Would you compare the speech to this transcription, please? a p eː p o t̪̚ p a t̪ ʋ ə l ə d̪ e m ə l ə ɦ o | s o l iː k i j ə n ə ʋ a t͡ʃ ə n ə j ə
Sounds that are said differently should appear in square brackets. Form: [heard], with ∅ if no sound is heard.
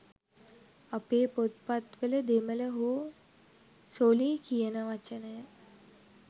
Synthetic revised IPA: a p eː p o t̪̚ p a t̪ ʋ ə l ə d̪ e m ə l ə ɦ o | s o l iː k i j ə n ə ʋ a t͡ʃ ə n ə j ə